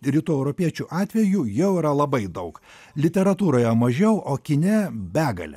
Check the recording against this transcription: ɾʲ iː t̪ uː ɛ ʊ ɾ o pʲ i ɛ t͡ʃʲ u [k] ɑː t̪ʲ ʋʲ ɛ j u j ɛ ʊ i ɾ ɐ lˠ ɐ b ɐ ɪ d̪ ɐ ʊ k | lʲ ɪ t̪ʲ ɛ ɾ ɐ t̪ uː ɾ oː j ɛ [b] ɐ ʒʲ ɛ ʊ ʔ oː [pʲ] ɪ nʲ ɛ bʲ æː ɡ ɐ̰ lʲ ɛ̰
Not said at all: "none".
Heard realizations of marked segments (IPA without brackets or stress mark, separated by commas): ʔ, m, kʲ